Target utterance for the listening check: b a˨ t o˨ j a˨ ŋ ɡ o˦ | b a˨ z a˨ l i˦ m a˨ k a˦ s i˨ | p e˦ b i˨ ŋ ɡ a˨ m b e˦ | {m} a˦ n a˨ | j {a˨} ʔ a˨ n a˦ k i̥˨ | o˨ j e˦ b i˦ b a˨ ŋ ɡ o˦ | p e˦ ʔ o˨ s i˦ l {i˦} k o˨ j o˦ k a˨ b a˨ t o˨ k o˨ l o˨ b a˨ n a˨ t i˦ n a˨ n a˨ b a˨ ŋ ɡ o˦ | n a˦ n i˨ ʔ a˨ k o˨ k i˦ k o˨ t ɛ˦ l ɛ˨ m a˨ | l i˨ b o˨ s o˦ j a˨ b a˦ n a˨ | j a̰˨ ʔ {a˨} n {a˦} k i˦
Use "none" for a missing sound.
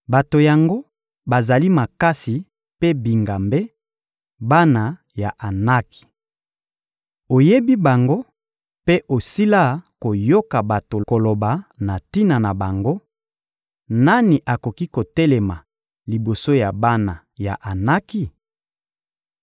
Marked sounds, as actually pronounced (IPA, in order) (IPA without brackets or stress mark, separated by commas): b, a˨, a˦, a˨, a˦